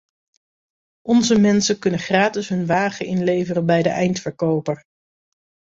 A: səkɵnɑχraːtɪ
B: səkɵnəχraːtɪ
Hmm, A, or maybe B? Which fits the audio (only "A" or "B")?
B